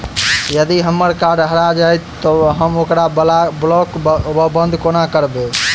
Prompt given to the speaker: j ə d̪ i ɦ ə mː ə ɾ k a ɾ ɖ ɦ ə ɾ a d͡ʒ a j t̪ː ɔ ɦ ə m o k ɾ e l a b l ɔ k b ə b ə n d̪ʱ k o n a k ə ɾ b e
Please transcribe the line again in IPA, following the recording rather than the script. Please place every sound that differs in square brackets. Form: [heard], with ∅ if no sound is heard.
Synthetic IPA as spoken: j ə d̪ i ɦ ə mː ə ɾ k a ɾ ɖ ɦ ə ɾ a d͡ʒ a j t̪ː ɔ ɦ ə m o k ɾ [a] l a b l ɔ k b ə b ə n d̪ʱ k o n a k ə ɾ b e